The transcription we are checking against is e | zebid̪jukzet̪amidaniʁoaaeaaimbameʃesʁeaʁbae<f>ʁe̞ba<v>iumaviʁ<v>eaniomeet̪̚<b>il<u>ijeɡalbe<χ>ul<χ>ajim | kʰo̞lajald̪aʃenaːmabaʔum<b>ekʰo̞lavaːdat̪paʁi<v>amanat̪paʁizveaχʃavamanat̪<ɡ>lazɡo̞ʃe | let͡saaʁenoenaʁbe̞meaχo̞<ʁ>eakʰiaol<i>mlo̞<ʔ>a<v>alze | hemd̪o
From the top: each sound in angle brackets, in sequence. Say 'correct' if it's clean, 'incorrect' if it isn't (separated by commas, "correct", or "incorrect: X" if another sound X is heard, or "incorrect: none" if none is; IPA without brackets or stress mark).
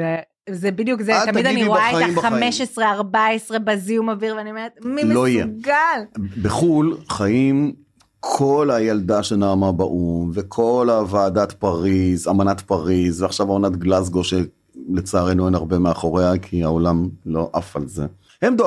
incorrect: s, incorrect: z, correct, incorrect: m, incorrect: o, correct, correct, incorrect: v, incorrect: z, correct, correct, incorrect: a, correct, incorrect: f